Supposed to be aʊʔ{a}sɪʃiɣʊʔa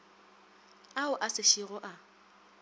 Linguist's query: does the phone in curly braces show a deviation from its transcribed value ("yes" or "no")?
no